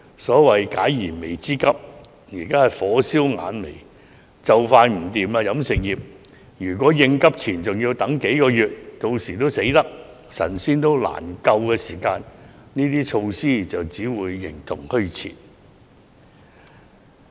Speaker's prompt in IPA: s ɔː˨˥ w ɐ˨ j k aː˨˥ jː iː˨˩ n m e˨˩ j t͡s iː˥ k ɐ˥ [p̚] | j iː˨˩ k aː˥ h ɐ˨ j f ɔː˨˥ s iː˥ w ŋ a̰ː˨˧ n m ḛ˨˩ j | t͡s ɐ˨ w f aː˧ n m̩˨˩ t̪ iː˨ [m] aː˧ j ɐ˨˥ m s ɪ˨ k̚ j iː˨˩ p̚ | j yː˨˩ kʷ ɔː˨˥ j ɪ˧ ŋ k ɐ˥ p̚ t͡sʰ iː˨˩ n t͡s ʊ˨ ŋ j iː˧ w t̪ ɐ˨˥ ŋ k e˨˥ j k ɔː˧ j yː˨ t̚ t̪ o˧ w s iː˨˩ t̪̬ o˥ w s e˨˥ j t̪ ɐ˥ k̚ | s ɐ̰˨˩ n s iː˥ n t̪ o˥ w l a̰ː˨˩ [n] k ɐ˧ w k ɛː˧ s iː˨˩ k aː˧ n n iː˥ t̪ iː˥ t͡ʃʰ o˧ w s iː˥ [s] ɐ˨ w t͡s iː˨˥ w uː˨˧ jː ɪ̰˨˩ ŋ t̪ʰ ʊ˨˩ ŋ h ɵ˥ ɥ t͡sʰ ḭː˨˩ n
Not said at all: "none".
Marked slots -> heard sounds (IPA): p̚, m, n, t͡s

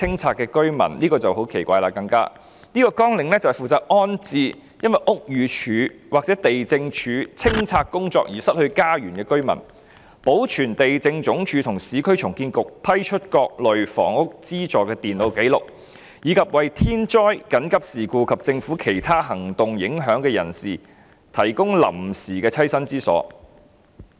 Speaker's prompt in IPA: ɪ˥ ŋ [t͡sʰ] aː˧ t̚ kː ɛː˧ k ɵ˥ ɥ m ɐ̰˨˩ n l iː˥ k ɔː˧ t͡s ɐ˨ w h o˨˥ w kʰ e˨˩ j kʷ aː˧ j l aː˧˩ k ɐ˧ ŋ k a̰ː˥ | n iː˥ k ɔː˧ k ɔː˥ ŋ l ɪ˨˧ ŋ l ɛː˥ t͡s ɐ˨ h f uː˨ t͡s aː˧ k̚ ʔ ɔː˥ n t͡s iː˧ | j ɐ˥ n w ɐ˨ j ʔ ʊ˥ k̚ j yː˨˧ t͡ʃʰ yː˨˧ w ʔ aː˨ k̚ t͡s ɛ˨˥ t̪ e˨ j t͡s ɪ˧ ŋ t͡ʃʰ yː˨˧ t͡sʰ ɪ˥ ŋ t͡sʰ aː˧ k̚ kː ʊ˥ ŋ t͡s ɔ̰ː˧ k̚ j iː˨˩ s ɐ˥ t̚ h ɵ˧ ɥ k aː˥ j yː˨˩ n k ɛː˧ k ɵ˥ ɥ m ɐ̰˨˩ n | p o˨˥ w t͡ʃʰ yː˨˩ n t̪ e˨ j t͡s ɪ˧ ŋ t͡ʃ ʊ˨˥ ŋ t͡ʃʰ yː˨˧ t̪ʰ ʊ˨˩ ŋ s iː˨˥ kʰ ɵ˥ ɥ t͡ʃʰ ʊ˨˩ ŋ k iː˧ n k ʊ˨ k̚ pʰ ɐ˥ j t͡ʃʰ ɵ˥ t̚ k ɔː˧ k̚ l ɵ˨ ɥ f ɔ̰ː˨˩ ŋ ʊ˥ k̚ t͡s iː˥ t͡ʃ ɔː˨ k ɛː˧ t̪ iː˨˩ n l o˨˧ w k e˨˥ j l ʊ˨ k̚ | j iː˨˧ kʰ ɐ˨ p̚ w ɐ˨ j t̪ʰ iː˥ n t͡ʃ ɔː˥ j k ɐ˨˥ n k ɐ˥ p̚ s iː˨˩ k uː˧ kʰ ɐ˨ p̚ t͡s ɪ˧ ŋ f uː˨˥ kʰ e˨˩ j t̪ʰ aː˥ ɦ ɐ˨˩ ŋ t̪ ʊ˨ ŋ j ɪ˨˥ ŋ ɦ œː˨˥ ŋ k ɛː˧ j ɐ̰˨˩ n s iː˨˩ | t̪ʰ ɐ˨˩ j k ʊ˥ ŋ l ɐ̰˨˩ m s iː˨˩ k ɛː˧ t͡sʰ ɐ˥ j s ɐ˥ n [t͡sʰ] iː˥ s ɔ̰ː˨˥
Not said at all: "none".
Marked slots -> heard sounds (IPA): t͡sʰ, t͡s

